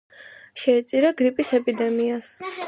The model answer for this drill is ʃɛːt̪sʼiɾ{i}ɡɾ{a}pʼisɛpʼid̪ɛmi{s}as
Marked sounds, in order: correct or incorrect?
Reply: incorrect: a, incorrect: i, incorrect: none

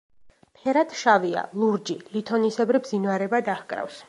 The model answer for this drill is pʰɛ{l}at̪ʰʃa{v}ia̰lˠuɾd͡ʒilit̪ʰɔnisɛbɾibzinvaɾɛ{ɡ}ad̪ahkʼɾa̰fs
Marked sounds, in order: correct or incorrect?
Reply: incorrect: ɾ, correct, incorrect: b

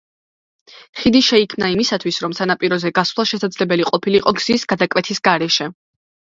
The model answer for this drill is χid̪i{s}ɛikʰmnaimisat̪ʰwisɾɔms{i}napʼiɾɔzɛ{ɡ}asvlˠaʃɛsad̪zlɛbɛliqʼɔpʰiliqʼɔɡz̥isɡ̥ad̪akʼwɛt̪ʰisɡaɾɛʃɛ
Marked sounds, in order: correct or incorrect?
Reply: incorrect: ʃ, incorrect: a, correct

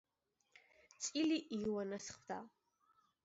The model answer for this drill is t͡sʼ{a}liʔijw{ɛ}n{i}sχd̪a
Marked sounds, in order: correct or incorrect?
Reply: incorrect: i, incorrect: a, incorrect: a

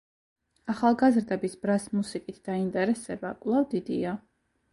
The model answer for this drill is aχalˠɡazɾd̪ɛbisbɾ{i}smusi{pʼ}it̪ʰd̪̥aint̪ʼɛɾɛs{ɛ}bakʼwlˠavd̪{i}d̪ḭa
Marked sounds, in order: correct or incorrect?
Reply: incorrect: a, incorrect: kʼ, correct, correct

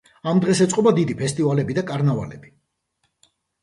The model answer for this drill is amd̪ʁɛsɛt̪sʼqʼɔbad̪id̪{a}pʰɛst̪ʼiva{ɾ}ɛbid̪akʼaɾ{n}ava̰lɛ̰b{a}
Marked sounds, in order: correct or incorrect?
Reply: incorrect: i, incorrect: l, correct, incorrect: i

